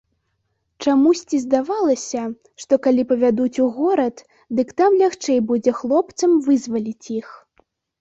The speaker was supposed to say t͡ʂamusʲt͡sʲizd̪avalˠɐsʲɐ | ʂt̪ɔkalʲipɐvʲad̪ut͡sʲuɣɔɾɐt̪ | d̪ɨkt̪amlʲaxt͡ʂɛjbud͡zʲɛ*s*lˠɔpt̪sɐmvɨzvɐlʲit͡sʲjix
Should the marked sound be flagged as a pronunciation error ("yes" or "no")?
yes